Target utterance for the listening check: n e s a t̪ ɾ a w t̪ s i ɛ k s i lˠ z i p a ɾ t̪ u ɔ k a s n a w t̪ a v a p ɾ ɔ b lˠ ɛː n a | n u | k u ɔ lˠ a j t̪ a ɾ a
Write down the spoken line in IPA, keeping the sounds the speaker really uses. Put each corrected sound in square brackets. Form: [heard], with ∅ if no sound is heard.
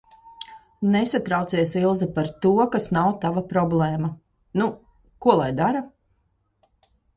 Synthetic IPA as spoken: n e s a t̪ ɾ a w t̪ s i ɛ [∅] s i lˠ z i p a ɾ t̪ u ɔ k a s n a w t̪ a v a p ɾ ɔ b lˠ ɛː [m] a | n u | k u ɔ lˠ a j [d̪] a ɾ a